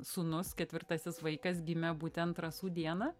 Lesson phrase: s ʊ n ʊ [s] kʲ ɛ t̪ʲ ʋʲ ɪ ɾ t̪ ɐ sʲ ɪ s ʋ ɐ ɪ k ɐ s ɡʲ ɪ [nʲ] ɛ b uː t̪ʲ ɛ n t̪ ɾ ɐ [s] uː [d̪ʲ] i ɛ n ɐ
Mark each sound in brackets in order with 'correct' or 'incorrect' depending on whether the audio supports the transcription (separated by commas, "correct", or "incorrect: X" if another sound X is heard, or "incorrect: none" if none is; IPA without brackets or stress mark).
correct, incorrect: mʲ, correct, correct